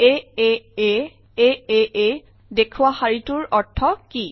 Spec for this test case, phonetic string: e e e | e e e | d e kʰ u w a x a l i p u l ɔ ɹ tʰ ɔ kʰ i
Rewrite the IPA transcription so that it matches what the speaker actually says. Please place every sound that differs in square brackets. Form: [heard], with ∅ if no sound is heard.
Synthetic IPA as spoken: e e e | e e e | d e kʰ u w a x a [ɹ] i [t] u [ɹ] ɔ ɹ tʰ ɔ [k] i